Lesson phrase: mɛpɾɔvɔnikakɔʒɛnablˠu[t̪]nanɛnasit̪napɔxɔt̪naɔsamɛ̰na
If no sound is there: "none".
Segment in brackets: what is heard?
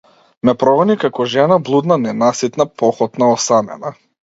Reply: d̪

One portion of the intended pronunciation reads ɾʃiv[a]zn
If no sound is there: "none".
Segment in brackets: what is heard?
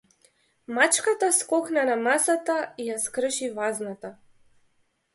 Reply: a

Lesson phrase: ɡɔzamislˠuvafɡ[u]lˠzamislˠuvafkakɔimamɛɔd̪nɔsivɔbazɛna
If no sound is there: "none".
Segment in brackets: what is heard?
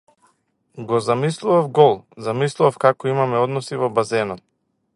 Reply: ɔ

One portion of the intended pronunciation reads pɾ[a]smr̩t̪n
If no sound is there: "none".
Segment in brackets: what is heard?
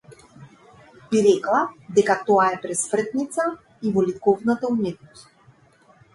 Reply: ɛ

